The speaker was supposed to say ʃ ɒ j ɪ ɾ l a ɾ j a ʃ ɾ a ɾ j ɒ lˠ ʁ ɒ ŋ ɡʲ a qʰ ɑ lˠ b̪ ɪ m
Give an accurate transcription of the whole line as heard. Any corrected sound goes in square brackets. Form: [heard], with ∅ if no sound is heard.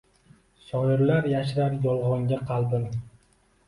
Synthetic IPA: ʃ ɒ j ɪ ɾ l a ɾ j a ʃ ɾ a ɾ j ɒ lˠ ʁ ɒ ŋ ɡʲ a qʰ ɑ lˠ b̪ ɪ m